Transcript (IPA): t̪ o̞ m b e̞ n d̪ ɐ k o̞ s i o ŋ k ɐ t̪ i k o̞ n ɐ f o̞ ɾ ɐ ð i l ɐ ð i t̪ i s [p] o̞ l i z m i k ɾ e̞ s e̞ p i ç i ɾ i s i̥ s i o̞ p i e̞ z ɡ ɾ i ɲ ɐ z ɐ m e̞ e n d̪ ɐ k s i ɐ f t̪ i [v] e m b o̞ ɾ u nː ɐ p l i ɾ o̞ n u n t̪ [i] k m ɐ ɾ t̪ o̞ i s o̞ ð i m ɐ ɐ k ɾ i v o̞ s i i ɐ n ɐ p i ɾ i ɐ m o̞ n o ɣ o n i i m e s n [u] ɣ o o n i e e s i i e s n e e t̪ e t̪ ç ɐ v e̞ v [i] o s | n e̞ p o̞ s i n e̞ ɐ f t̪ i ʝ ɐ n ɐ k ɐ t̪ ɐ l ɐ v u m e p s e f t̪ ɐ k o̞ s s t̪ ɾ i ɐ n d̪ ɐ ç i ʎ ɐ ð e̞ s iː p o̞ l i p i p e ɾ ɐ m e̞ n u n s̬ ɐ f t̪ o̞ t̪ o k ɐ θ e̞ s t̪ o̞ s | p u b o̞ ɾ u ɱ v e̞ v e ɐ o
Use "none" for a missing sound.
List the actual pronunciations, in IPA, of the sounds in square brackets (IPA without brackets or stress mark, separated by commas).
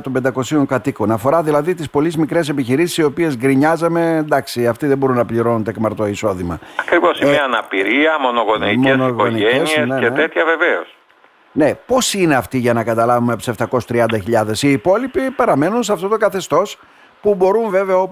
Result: p, ð, e, o, e